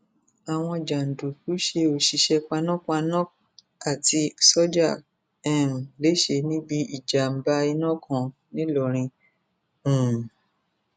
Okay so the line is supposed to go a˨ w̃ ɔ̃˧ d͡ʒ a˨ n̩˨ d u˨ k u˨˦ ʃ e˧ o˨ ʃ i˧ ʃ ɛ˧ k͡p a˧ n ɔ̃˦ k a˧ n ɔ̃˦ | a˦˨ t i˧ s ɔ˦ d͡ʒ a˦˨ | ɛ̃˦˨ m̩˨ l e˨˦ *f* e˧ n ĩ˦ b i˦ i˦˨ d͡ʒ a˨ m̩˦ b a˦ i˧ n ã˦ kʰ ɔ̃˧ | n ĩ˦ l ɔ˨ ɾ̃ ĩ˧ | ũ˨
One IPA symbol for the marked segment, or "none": ʃ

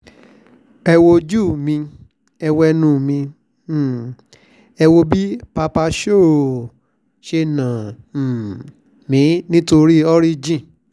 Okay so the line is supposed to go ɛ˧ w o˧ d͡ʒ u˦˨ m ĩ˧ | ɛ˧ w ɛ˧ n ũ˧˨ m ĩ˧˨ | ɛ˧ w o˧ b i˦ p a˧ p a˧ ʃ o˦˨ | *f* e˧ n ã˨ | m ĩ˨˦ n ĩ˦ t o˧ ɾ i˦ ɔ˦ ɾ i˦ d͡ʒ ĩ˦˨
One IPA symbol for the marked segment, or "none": ʃ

